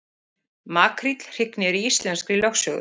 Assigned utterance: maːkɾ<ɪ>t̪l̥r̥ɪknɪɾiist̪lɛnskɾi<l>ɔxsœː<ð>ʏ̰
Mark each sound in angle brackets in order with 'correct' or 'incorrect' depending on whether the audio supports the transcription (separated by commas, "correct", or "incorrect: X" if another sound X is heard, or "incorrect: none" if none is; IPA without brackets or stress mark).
incorrect: i, correct, incorrect: ɣ